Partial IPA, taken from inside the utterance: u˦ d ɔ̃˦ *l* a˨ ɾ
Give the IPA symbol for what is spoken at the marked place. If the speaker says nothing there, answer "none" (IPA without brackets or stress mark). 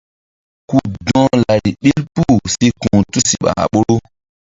l